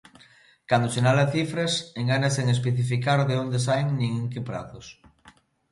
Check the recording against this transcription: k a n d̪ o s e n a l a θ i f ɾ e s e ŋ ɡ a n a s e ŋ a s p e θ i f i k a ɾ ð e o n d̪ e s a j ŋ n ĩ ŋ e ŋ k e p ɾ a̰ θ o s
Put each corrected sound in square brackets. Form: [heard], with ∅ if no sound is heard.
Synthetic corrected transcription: k a n d̪ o s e n a l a θ i f ɾ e s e ŋ ɡ a n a s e ŋ [e] s p e θ i f i k a ɾ ð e o n d̪ e s a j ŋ n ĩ ŋ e ŋ k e p ɾ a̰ θ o s